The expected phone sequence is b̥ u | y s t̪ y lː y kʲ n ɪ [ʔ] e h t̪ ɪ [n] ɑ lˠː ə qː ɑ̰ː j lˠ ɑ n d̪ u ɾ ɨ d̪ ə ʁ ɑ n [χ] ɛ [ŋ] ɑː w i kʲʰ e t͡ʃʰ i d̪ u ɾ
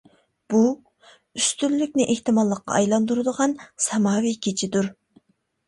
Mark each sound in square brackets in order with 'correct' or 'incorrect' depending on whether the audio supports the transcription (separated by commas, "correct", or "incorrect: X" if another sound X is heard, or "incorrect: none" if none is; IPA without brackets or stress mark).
correct, incorrect: m, incorrect: s, incorrect: m